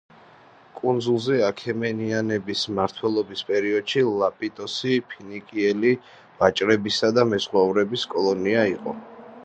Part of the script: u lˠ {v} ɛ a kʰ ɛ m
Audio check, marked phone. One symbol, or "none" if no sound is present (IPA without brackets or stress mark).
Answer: z